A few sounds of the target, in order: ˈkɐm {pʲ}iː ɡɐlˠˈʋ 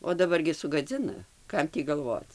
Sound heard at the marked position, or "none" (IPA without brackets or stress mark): tʲ